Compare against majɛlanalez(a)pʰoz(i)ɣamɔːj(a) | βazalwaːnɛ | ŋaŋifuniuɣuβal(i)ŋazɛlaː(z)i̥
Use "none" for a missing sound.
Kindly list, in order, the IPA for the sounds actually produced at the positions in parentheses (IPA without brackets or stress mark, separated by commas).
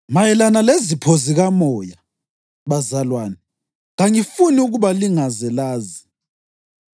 i, i, a, i, z